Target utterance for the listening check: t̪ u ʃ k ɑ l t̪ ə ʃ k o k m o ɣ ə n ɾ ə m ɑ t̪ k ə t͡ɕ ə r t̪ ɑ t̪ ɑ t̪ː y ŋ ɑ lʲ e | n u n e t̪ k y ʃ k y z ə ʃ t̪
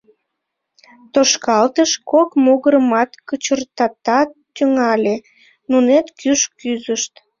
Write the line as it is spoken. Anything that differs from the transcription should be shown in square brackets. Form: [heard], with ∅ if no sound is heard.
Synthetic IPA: t̪ [o] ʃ k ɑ l t̪ ə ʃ k o k m o ɣ ə [∅] ɾ ə m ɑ t̪ k ə t͡ɕ ə r t̪ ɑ t̪ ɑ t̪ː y ŋ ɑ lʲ e | n u n e t̪ k y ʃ k y z ə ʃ t̪